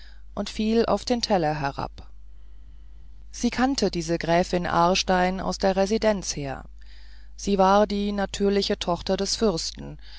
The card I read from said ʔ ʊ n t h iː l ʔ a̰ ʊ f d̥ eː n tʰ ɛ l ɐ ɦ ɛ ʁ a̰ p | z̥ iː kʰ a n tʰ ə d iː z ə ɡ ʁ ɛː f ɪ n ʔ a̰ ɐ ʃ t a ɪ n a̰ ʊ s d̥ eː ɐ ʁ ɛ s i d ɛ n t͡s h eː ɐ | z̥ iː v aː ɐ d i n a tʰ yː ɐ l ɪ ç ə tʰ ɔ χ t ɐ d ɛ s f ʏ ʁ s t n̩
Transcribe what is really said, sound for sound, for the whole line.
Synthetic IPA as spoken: ʔ ʊ n t f iː l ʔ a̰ ʊ f d̥ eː n tʰ ɛ l ɐ ɦ ɛ ʁ a̰ p | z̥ iː kʰ a n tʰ ə d iː z ə ɡ ʁ ɛː f ɪ n ʔ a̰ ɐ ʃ t a ɪ n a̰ ʊ s d̥ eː ɐ ʁ ɛ z i d ɛ n t͡s h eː ɐ | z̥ iː v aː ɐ d iː n a tʰ yː ɐ l ɪ ç ə tʰ ɔ χ t ɐ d ɛ s f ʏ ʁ s t n̩